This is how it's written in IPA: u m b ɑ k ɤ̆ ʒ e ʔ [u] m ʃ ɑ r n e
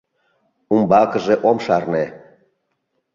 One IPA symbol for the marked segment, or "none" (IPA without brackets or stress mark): o